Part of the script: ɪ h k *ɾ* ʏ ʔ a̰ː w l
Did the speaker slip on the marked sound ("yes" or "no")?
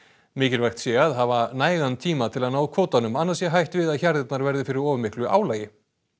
yes